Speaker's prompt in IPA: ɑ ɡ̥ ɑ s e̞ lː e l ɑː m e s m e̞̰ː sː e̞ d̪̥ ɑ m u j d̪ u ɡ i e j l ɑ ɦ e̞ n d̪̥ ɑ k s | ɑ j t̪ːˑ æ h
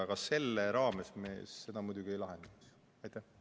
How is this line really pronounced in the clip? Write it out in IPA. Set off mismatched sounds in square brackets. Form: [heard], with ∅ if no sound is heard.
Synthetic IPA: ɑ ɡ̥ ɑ s e̞ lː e [ɾ] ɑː m e s m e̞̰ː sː e̞ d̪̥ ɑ m u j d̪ u ɡ i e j l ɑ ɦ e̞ n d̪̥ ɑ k s | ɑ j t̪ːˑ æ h